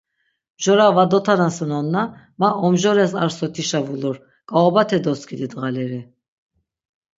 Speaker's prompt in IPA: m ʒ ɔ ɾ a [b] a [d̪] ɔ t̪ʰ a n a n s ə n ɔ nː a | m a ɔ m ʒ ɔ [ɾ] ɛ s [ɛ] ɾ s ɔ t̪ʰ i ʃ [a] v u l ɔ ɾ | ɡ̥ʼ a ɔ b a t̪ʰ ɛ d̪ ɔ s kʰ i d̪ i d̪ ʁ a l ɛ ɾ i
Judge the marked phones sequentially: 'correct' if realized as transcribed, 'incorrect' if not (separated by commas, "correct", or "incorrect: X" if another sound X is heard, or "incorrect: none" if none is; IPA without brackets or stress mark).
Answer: incorrect: v, correct, correct, incorrect: a, correct